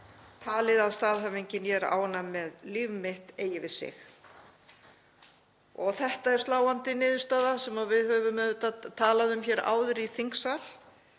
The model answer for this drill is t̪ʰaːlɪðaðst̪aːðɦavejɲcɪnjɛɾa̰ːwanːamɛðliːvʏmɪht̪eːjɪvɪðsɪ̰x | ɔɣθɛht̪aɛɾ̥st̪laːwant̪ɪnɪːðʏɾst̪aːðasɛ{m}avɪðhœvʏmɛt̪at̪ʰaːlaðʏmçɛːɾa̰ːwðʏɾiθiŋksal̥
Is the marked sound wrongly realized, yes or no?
no